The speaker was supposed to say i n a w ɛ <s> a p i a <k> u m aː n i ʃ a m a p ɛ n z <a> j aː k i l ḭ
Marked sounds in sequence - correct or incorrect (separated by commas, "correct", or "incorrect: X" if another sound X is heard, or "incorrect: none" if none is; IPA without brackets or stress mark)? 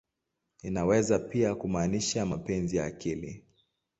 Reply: incorrect: z, correct, incorrect: i